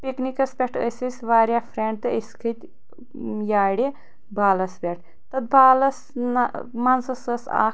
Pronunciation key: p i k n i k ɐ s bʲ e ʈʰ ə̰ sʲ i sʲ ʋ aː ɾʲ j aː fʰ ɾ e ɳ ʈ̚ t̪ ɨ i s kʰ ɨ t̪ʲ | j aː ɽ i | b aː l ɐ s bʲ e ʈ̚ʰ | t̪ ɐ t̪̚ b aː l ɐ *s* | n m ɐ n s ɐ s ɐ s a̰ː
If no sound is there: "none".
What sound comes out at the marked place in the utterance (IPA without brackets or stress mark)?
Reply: s